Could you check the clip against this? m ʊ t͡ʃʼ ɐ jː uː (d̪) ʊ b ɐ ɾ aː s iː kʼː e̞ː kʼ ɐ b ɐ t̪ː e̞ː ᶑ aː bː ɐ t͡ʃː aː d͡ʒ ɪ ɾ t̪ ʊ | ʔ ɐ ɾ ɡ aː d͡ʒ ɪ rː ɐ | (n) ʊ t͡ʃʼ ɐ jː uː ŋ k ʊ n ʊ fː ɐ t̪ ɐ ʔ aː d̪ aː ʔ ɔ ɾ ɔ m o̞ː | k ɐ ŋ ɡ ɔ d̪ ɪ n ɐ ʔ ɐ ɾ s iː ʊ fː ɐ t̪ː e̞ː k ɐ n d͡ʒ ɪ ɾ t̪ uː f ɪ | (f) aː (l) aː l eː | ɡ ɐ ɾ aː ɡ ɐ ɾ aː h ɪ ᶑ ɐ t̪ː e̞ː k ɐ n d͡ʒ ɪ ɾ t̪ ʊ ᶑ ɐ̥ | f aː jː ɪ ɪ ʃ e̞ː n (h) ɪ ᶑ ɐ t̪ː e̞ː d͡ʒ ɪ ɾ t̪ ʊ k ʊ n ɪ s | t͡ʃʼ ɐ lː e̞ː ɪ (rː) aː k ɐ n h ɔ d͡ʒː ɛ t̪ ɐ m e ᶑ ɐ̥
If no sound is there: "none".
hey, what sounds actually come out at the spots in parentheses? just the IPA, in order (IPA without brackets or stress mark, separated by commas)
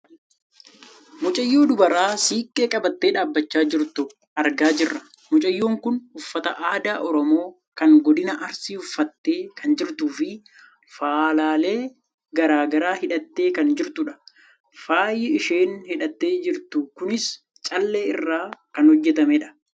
d̪, m, f, l, h, rː